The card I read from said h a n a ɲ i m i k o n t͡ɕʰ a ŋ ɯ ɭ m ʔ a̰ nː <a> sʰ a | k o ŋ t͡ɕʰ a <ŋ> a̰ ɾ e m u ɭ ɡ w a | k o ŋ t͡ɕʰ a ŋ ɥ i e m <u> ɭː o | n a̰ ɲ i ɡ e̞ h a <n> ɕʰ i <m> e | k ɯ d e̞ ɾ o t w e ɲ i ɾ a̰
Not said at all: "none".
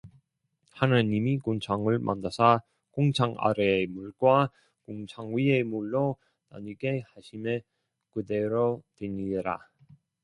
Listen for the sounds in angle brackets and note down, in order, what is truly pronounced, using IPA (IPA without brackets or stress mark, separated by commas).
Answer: a, ŋ, u, none, m